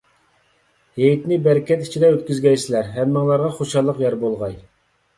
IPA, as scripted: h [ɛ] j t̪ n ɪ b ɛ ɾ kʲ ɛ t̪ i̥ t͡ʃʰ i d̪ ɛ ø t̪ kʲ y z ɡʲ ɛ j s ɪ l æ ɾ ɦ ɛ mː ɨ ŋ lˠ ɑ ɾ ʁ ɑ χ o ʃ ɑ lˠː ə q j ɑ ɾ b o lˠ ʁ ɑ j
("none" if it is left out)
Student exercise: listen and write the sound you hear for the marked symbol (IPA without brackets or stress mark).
e